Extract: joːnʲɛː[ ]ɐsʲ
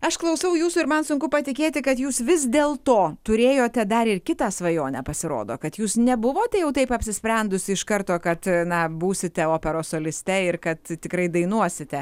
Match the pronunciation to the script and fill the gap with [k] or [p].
p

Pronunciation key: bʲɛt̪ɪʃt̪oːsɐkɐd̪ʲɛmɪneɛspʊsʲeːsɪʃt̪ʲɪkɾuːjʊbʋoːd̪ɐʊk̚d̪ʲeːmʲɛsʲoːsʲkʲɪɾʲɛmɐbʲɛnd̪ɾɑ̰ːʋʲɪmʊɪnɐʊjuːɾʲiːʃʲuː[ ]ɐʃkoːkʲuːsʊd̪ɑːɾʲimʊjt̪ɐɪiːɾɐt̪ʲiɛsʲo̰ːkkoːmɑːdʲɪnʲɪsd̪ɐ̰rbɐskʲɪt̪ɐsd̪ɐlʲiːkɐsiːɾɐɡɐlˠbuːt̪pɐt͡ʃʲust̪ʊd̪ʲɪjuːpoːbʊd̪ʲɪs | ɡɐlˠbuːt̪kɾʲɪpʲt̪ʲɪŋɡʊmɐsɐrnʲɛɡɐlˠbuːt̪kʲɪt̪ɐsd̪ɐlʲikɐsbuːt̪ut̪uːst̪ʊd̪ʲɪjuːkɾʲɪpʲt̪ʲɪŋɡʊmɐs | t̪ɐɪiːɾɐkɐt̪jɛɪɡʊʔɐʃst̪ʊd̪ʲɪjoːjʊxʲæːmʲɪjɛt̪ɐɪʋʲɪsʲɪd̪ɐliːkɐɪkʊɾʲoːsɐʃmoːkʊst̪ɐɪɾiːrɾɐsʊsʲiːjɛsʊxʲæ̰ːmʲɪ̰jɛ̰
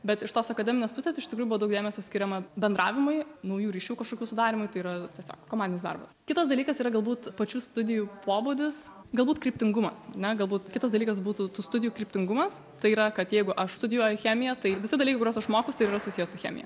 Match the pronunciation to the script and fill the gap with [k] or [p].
k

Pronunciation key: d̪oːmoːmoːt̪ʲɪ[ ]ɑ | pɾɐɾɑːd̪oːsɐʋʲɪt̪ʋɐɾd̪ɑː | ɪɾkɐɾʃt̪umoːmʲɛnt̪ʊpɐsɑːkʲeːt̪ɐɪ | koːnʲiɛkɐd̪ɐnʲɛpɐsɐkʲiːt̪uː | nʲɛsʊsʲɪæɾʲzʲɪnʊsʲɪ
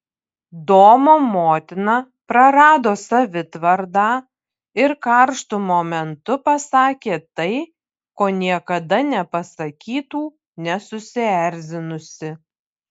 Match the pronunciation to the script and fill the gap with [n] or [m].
n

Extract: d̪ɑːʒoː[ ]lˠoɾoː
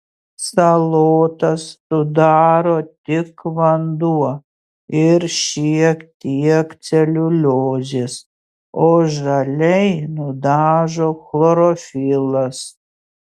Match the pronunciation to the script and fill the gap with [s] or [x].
x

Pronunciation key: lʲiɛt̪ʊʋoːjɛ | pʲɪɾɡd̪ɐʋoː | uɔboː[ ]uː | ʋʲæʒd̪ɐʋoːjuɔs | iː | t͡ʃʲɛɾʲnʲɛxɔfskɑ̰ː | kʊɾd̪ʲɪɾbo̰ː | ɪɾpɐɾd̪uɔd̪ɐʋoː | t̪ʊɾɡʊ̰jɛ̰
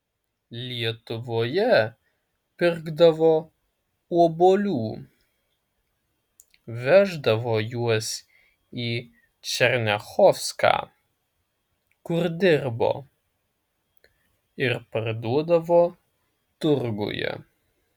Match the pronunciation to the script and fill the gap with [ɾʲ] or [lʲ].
lʲ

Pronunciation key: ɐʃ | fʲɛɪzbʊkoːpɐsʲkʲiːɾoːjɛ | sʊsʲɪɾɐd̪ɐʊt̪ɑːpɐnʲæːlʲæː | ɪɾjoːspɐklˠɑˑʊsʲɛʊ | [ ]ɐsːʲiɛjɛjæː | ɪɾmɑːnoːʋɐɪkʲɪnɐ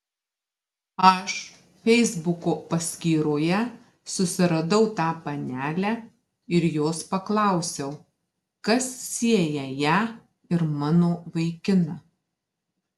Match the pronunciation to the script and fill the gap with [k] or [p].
k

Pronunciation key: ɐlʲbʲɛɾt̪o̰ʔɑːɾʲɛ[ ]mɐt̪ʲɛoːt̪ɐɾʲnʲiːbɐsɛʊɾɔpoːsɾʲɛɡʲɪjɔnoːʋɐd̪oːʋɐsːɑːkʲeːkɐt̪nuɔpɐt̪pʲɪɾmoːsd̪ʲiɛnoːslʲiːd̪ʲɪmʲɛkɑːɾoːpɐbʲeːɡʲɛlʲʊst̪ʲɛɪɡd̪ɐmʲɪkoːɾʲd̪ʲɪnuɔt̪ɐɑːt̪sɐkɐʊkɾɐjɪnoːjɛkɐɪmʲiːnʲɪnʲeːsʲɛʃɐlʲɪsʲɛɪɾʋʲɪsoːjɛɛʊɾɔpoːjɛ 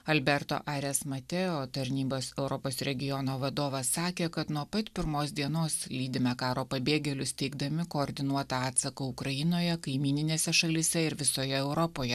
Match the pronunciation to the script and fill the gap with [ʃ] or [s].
s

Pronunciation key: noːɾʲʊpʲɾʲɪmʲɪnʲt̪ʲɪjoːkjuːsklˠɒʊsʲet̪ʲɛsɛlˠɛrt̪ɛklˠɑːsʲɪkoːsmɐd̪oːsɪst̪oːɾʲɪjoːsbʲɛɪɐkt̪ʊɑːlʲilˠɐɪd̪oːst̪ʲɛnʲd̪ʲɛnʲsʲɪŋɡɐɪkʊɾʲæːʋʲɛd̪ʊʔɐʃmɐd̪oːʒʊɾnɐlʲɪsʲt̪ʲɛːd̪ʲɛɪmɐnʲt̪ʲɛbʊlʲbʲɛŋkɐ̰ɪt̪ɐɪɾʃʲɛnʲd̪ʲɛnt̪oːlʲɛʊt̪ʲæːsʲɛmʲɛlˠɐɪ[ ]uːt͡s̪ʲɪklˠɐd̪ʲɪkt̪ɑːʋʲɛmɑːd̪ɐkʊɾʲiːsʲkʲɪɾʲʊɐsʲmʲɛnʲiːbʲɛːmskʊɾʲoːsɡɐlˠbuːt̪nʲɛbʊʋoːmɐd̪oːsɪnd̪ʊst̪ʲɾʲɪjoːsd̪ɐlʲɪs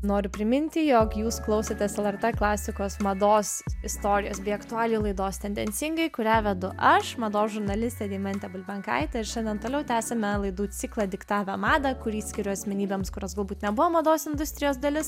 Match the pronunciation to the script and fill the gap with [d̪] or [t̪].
d̪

